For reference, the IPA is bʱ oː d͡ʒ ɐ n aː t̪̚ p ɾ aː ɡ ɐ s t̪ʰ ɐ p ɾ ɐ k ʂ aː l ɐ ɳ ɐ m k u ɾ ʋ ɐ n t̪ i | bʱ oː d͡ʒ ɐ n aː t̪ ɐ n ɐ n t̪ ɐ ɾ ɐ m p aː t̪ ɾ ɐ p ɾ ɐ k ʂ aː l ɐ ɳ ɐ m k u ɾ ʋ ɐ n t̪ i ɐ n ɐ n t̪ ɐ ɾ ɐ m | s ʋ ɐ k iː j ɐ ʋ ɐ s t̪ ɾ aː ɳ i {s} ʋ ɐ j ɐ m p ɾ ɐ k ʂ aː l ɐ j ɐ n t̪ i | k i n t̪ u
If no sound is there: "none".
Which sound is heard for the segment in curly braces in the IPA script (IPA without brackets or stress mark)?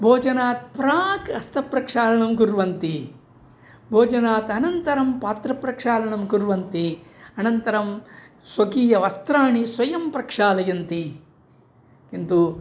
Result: s